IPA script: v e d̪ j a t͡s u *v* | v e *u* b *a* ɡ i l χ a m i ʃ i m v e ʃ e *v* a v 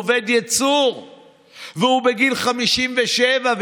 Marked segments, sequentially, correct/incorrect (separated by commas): incorrect, correct, incorrect, correct